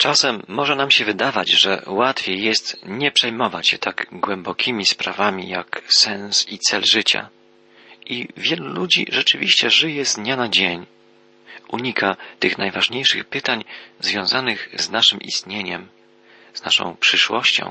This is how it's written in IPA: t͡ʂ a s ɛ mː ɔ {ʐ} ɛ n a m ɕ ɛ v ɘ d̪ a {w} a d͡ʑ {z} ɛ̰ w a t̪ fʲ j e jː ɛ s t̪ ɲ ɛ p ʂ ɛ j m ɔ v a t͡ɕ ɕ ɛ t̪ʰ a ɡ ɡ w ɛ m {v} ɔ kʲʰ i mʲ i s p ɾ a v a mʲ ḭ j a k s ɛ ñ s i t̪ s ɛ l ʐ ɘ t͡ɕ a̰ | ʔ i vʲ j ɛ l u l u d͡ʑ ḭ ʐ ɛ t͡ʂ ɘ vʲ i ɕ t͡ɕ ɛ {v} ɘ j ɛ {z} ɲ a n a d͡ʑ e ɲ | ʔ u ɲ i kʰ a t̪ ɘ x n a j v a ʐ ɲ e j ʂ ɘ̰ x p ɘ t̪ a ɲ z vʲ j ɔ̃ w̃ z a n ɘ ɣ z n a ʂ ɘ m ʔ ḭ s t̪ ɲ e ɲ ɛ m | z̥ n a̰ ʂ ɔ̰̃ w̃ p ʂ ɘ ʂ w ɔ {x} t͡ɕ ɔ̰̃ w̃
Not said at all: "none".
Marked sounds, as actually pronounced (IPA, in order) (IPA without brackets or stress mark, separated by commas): ʐ, v, ʐ, b, ʐ, z, ɕ